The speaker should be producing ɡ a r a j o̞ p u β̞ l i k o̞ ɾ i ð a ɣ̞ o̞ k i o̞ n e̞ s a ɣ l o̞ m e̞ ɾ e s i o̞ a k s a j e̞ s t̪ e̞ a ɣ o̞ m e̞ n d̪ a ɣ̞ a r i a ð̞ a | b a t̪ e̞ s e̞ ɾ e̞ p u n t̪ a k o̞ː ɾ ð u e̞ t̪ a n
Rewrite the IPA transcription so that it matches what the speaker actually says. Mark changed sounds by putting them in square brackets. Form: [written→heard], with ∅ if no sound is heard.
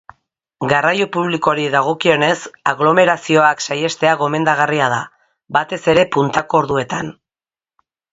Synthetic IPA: ɡ a r a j o̞ p u β̞ l i k o̞ ɾ i ð a ɣ̞ o̞ k i o̞ n e̞ s a ɣ l o̞ m e̞ ɾ [e→a] s i o̞ a k s a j e̞ s t̪ e̞ a ɣ o̞ m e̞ n d̪ a ɣ̞ a r i a ð̞ a | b a t̪ e̞ s e̞ ɾ e̞ p u n t̪ a k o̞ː ɾ ð u e̞ t̪ a n

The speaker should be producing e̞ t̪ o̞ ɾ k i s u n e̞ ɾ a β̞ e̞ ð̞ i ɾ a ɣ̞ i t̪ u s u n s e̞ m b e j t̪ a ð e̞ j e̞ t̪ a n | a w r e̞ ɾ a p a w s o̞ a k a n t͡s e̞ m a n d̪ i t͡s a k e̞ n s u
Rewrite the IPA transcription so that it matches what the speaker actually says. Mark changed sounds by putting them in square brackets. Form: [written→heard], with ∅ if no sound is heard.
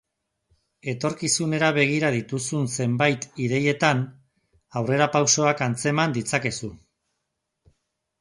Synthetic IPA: e̞ t̪ o̞ ɾ k i s u n e̞ ɾ a β̞ e̞ [ð̞→ɣ̞] i ɾ a [ɣ̞→ð̞] i t̪ u s u n s e̞ m b [e→a] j t̪ [a→i] ð e̞ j e̞ t̪ a n | a w r e̞ ɾ a p a w s o̞ a k a n t͡s e̞ m a n d̪ i t͡s a k e̞ [n→∅] s u

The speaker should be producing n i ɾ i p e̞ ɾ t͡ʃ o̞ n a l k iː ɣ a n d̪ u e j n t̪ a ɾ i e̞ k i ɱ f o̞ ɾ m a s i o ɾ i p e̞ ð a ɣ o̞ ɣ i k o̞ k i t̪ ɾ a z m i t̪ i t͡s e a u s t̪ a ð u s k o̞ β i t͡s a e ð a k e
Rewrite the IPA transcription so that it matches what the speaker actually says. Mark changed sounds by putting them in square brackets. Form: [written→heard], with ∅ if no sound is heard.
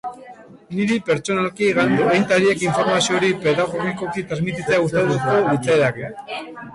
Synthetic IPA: n i ɾ i p e̞ ɾ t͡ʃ o̞ n a l k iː ɣ a n d̪ u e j n t̪ a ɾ i e̞ k i ɱ f o̞ ɾ m a s i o ɾ i p e̞ ð a ɣ o̞ ɣ i k o̞ k i t̪ ɾ a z m i t̪ i t͡s e a u s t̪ a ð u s k o̞ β i t͡s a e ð a k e

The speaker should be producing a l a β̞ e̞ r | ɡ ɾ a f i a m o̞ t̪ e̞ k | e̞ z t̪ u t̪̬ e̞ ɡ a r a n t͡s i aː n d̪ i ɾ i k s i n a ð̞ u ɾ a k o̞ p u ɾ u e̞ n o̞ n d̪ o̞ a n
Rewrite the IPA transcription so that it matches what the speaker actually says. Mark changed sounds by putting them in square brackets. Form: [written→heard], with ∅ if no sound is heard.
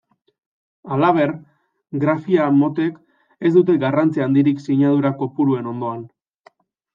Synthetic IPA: a l a β̞ e̞ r | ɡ ɾ a f i a m o̞ t̪ e̞ k | e̞ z [t̪→d̪] u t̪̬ e̞ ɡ a r a n t͡s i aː n d̪ i ɾ i k s i [n→ɲ] a ð̞ u ɾ a k o̞ p u ɾ u e̞ n o̞ n d̪ o̞ a n

